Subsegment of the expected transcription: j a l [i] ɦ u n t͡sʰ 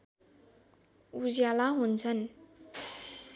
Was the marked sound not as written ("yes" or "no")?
yes